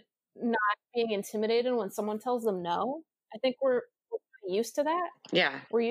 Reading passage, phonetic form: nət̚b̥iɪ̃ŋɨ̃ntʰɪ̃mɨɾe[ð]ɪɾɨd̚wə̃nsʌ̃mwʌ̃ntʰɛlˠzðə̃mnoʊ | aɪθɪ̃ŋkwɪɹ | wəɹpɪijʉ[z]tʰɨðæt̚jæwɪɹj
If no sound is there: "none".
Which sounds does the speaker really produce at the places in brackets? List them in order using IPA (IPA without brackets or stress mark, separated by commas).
none, s